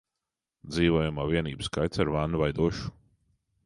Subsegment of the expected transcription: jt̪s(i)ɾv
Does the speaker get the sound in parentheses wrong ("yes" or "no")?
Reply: yes